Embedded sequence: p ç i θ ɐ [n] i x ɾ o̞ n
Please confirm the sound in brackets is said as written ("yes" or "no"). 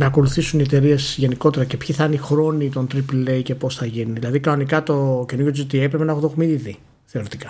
yes